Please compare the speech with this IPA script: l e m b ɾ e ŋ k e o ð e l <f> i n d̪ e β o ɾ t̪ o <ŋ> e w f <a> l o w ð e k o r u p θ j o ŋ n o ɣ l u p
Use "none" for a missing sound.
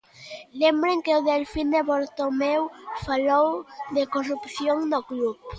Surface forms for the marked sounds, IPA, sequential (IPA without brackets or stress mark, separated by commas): f, m, a